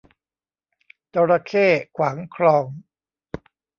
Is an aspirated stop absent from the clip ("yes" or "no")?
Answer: no